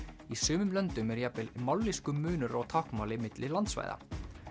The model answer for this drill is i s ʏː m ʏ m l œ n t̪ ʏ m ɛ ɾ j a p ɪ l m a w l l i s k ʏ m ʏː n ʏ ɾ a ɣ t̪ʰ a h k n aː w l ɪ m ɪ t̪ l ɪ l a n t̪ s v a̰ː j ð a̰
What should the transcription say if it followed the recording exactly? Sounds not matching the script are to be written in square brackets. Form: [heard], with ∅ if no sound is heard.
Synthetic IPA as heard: i s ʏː m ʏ m l œ n t̪ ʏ m ɛ ɾ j a p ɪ l m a w l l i s k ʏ m ʏː n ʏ ɾ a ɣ t̪ʰ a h k [m] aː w l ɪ m ɪ t̪ l ɪ l a n t̪ s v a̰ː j ð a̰